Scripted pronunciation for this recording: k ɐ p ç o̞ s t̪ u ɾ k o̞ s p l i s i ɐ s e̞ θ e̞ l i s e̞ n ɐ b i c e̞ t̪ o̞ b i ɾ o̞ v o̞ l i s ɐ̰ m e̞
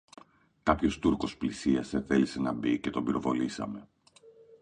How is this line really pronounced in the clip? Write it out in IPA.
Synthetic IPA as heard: k ɐ p ç o̞ s t̪ u ɾ k o̞ s p l i s i ɐ s e̞ θ e̞ l i s e̞ n ɐ b i c e̞ t̪ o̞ b i ɾ o̞ v o̞ l i s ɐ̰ m e̞